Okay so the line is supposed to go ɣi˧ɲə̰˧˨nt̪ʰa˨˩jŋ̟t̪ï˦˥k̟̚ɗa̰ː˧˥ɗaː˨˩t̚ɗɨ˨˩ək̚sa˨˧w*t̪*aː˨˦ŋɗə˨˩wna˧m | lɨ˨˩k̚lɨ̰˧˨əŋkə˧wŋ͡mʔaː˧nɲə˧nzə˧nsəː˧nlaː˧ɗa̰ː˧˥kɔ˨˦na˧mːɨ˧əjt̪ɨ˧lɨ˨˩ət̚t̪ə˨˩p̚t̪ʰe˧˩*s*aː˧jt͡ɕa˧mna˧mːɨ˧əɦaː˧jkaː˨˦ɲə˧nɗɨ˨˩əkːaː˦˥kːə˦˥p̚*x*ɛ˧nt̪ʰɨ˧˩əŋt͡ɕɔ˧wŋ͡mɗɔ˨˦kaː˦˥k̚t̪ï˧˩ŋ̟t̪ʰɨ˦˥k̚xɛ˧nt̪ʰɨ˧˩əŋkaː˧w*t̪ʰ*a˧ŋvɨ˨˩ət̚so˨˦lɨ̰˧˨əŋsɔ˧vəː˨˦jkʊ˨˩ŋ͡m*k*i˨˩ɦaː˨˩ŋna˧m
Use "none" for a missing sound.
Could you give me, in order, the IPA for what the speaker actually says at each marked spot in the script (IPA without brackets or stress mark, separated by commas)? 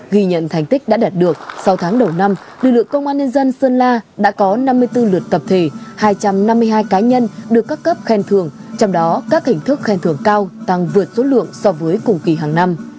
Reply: t̪ʰ, h, x, t̪, k